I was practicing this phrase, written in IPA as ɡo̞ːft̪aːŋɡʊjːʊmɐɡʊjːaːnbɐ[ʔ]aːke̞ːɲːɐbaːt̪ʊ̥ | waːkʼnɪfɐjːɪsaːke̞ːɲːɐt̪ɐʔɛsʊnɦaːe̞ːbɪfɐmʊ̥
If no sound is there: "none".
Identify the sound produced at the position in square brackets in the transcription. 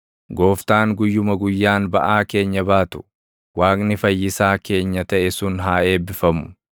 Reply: ʔ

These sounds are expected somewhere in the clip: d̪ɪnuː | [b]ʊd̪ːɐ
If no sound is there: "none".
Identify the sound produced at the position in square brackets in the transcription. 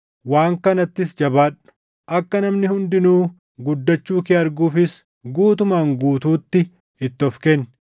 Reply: ɡ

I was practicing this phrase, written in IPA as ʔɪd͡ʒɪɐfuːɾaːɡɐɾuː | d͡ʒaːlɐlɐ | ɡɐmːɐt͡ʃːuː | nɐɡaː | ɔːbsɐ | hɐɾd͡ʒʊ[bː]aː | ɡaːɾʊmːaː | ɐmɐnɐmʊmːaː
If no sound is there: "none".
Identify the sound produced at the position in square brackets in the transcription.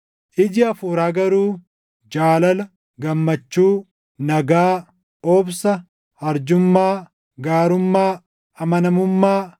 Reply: mː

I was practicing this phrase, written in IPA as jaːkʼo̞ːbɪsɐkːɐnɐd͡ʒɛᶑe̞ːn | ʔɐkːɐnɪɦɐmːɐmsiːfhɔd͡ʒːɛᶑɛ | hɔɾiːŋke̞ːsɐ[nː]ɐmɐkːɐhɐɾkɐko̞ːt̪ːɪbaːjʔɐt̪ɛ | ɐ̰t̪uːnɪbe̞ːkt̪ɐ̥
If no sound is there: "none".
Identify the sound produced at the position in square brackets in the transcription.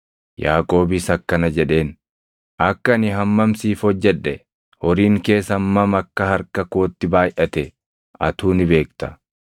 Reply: mː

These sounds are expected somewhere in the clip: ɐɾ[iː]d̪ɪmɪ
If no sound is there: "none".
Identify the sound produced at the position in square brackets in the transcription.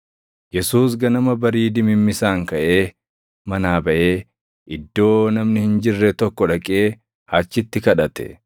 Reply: iː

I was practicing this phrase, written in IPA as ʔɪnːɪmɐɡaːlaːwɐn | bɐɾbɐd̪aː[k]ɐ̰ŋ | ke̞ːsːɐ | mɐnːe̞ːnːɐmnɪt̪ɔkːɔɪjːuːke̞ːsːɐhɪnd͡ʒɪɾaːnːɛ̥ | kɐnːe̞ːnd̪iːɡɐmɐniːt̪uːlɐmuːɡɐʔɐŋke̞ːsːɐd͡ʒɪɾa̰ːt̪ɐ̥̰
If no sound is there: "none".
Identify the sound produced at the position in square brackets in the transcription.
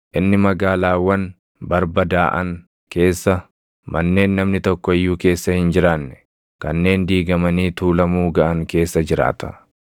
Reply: ʔ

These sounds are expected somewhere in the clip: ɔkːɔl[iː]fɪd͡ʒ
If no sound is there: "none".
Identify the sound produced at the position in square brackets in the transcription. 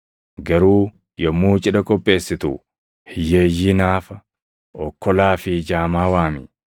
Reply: aː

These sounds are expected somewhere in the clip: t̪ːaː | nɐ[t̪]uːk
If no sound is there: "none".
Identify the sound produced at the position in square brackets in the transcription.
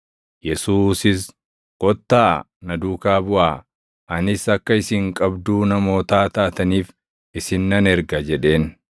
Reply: d̪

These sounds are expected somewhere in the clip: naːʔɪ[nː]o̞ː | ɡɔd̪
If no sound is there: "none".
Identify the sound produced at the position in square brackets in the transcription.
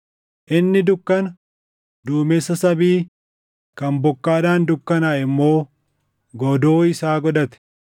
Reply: mː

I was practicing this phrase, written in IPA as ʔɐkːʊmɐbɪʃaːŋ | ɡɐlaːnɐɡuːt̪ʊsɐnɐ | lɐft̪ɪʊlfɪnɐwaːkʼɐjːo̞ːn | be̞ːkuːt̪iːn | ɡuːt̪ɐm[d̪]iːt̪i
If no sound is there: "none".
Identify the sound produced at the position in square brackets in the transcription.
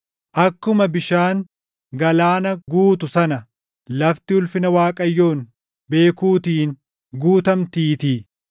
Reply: t̪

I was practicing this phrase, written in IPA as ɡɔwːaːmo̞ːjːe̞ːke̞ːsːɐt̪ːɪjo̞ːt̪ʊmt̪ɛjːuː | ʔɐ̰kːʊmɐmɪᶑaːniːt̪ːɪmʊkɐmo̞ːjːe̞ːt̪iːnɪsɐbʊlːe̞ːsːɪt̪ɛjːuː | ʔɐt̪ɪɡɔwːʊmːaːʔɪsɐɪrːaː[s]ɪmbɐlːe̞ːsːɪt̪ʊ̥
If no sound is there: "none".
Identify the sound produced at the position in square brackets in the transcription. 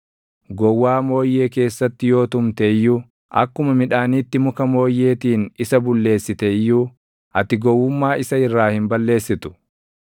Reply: h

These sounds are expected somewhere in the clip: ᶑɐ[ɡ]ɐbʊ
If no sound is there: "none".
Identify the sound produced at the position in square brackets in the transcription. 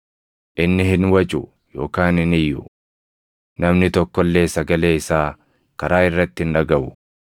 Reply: ɡ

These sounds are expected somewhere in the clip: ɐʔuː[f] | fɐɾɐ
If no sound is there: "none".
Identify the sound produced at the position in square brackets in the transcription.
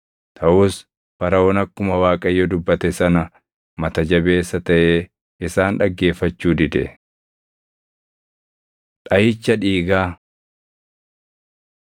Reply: s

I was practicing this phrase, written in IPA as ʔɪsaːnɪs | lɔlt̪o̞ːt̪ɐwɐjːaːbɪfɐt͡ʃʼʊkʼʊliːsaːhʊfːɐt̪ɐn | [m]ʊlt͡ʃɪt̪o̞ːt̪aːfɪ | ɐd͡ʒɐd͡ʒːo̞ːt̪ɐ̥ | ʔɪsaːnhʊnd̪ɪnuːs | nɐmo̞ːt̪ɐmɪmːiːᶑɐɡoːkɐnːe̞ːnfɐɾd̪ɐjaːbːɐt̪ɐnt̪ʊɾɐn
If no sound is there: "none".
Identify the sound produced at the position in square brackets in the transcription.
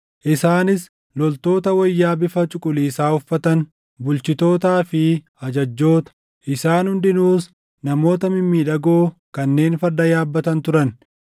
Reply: b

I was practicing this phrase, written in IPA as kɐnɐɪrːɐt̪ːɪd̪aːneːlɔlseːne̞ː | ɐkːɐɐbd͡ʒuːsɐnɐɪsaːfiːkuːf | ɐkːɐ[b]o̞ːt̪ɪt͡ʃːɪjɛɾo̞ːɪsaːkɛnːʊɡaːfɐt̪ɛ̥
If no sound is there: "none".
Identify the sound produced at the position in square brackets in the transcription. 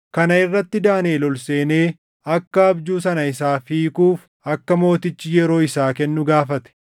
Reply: m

